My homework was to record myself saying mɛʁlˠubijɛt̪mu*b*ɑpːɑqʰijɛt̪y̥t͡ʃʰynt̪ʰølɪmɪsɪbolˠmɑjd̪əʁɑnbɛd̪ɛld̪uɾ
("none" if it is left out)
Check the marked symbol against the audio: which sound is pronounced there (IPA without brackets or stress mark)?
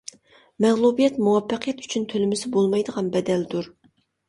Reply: w